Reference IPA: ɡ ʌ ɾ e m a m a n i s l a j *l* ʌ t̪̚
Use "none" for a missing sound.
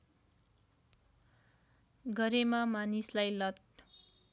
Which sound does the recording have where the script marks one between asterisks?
l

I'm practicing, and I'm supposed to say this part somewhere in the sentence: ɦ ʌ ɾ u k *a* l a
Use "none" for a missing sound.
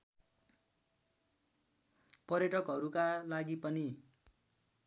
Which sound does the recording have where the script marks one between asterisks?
a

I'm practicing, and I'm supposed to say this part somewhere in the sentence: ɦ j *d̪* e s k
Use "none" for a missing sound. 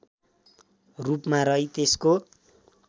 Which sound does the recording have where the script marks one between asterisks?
t̪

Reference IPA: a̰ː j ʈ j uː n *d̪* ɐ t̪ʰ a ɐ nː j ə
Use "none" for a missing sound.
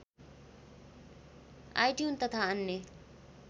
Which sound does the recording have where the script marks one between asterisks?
t̪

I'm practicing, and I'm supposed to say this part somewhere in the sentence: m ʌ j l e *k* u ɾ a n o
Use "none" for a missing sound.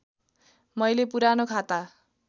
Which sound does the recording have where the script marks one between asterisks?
p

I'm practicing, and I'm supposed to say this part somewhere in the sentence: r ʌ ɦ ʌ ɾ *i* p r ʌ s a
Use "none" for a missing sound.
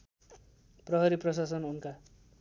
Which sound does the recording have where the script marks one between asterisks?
i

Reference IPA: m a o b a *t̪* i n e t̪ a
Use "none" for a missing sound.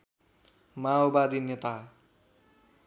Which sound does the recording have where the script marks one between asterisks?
d̪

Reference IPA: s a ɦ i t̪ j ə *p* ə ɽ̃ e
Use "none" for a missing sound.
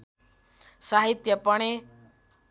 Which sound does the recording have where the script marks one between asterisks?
p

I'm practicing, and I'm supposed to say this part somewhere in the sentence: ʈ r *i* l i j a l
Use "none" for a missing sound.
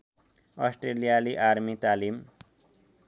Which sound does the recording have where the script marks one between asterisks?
e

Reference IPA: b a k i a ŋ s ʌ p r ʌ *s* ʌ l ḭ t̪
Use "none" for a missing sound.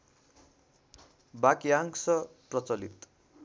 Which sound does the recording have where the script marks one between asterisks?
t͡s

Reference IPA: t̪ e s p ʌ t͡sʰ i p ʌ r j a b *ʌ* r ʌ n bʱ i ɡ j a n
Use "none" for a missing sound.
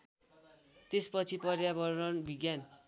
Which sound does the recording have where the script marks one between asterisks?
ʌ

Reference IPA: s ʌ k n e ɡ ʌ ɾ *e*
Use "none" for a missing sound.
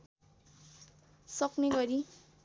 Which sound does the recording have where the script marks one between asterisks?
i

